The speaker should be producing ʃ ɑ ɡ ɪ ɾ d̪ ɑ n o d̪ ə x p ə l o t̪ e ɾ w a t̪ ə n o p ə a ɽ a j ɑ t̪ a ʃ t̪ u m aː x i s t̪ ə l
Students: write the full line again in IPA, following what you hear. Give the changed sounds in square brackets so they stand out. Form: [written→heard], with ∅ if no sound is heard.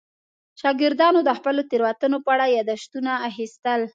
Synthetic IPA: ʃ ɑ ɡ ɪ ɾ d̪ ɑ n o d̪ ə x p ə l o t̪ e ɾ w a t̪ ə n o p ə a ɽ a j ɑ [t̪→d̪] a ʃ t̪ u [m→n] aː x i s t̪ ə l